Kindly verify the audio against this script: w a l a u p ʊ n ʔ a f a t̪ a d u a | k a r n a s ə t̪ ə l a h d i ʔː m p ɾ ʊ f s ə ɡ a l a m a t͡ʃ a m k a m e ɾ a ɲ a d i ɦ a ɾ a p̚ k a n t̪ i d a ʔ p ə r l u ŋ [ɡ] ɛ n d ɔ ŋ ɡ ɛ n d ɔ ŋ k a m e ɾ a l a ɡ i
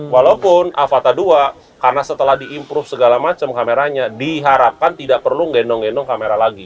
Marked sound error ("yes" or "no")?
no